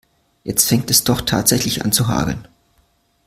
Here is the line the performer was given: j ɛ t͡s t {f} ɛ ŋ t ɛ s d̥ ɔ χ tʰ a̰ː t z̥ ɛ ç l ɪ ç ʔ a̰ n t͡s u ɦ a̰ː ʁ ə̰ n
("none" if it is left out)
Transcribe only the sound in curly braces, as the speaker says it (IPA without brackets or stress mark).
f